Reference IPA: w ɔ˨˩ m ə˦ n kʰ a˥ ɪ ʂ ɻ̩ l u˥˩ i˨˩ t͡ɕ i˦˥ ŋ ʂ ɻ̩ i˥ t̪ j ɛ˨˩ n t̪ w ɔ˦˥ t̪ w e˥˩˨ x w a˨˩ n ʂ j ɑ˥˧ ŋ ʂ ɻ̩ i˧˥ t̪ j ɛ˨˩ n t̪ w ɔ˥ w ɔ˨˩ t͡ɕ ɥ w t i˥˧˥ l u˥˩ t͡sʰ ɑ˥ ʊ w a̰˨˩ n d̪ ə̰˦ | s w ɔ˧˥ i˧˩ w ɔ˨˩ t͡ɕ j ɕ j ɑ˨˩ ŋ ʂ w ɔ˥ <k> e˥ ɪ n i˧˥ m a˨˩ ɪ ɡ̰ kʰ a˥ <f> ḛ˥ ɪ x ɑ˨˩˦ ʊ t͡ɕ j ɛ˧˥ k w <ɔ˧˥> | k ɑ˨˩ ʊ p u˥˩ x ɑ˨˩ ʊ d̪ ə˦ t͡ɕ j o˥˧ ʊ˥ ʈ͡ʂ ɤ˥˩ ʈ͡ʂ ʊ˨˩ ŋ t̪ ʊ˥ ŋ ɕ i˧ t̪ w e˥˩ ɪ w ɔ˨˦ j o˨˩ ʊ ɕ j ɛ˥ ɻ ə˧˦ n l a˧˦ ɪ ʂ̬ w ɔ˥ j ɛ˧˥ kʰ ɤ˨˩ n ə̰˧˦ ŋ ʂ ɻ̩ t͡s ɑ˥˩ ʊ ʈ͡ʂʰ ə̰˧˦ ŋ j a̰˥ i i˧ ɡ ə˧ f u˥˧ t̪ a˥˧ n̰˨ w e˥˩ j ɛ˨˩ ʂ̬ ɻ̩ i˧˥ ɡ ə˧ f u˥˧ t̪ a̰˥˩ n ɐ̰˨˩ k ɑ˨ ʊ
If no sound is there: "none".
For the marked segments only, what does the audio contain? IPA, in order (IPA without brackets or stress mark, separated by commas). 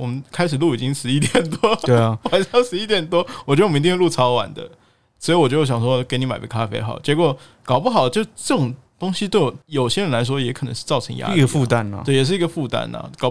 k, f, ɔ˨˩